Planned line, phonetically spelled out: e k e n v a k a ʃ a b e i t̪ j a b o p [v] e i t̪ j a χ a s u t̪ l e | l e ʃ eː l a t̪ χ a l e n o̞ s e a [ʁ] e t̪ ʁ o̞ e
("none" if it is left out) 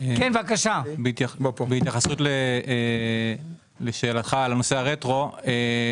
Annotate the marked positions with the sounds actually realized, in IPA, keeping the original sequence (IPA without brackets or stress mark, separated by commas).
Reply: b, ʁ